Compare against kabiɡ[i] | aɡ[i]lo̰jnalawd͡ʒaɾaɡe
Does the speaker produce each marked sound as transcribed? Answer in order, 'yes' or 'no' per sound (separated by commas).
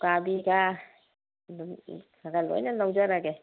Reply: no, no